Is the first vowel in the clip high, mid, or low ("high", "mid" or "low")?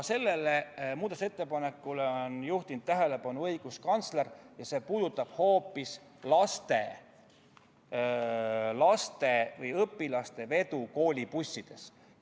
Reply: mid